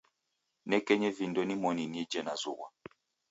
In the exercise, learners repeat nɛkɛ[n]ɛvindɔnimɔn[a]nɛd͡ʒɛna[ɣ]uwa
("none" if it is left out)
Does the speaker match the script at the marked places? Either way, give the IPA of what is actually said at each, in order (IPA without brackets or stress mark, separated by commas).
ɲ, i, z